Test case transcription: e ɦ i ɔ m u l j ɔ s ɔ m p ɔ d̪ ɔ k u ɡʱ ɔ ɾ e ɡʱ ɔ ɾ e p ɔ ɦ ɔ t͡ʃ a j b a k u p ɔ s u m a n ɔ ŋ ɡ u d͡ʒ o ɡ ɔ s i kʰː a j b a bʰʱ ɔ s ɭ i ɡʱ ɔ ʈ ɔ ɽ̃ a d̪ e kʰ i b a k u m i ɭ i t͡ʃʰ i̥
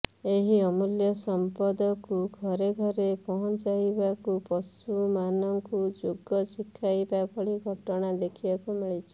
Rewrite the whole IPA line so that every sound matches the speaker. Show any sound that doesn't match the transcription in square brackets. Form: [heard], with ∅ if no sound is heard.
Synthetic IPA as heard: e ɦ i ɔ m u l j ɔ s ɔ m p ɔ d̪ ɔ k u ɡʱ ɔ ɾ e ɡʱ ɔ ɾ e p ɔ ɦ ɔ t͡ʃ a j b a k u p ɔ s u m a n ɔ ŋ [k] u d͡ʒ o ɡ ɔ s i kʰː a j b a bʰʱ ɔ [∅] ɭ i ɡʱ ɔ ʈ ɔ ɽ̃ a d̪ e kʰ i b a k u m i ɭ i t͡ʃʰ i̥